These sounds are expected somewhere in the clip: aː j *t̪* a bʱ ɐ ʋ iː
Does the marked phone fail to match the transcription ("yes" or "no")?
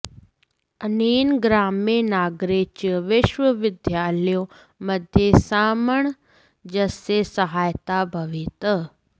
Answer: no